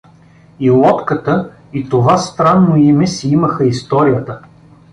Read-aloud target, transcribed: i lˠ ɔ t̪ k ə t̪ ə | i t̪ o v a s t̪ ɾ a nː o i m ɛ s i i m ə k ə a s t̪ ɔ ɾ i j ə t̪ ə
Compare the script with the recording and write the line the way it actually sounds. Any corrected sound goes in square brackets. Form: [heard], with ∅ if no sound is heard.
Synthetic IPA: i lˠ ɔ t̪ k ə t̪ ə | i t̪ o v a s t̪ ɾ a nː o i m ɛ s i i m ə [x] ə [i] s t̪ ɔ ɾ i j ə t̪ ə